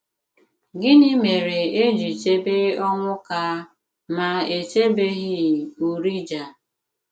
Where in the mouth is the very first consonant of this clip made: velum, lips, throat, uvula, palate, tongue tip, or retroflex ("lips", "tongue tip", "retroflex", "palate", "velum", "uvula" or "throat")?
velum